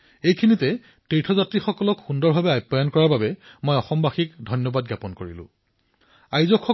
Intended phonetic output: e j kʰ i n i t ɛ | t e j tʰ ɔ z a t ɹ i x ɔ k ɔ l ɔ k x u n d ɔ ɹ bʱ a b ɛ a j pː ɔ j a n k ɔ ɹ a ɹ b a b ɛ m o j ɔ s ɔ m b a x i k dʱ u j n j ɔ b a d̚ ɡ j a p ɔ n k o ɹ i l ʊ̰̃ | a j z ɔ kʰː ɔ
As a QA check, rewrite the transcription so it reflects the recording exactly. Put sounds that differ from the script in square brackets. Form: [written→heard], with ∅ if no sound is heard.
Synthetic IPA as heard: e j kʰ i n i t ɛ | t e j tʰ ɔ z a t ɹ i x ɔ k ɔ l ɔ k x u n d ɔ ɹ bʱ a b ɛ a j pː ɔ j a n k ɔ ɹ a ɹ b a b ɛ m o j ɔ [s→x] ɔ m b a x i k dʱ [u→ɔ] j n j ɔ b a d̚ ɡ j a p ɔ n k o ɹ i l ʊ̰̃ | a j z ɔ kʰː ɔ

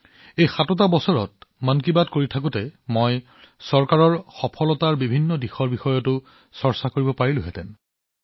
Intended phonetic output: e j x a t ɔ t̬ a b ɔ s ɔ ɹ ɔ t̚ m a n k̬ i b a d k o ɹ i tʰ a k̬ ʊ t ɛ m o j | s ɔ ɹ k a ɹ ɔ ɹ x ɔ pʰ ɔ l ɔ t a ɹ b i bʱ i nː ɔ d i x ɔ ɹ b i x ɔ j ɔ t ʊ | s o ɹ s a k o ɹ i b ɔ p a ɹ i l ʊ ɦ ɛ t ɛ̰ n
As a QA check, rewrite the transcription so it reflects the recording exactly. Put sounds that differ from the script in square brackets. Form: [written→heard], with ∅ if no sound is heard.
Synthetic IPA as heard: e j x a t ɔ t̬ a b ɔ s ɔ ɹ ɔ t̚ m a n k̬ i b a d k o ɹ i tʰ a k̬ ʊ t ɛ m o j | s ɔ ɹ k a ɹ ɔ ɹ x ɔ pʰ ɔ l ɔ t a ɹ b i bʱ i nː ɔ d i x ɔ ɹ b i x ɔ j ɔ t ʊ | s [o→ɔ] ɹ s a k o ɹ i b ɔ p a ɹ i l ʊ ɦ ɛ t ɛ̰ n

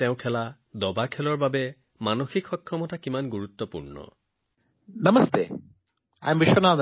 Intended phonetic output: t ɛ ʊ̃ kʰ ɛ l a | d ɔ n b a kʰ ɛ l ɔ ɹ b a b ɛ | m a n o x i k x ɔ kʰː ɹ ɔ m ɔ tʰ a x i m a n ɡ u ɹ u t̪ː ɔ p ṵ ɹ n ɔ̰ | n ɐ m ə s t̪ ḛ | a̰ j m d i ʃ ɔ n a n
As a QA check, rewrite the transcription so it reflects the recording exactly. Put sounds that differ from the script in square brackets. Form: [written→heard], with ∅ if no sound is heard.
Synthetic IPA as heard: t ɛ ʊ̃ kʰ ɛ l a | d ɔ [n→∅] b a kʰ ɛ l ɔ ɹ b a b ɛ | m a n o x i k x ɔ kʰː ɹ ɔ m ɔ [tʰ→t] a [x→k] i m a n ɡ u ɹ u t̪ː ɔ p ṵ ɹ n ɔ̰ | n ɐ m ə s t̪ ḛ | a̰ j m [d→b] i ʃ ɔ n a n

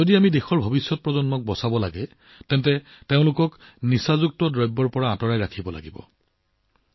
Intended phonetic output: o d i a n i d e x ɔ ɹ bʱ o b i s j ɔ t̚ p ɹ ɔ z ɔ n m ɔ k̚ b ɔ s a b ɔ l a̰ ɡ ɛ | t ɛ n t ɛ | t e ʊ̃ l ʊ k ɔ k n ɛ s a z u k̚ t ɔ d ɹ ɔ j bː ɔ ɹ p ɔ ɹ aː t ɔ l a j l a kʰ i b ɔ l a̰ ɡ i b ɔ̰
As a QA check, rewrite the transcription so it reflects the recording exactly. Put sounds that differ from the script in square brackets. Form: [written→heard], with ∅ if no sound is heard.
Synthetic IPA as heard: o d i a [n→m] i d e x ɔ ɹ bʱ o b i s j ɔ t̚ p ɹ ɔ z ɔ n m ɔ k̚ b ɔ s a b ɔ l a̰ ɡ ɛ | t ɛ n t ɛ | t e ʊ̃ l ʊ k ɔ k n [ɛ→i] s a z u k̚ t ɔ d ɹ ɔ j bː ɔ ɹ p ɔ ɹ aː t ɔ [l→ɹ] a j [l→ɹ] a kʰ i b ɔ l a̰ ɡ i b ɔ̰

